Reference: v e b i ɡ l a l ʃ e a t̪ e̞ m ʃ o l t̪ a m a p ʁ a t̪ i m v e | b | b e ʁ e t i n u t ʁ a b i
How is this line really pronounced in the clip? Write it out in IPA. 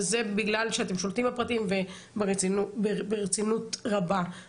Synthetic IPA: z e b i ɡ l a l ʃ e a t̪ e̞ m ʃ o l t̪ i m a p ʁ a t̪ i m v e | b | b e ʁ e t͡s i n u t ʁ a b a